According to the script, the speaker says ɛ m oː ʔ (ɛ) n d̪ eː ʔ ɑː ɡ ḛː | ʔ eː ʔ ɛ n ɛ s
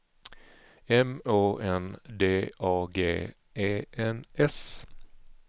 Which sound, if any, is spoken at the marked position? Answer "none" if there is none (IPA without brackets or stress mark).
ɛ